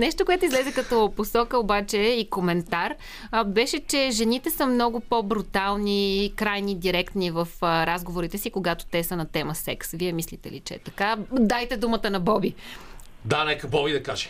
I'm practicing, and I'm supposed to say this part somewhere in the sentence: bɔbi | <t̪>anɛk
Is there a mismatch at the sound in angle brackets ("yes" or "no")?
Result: yes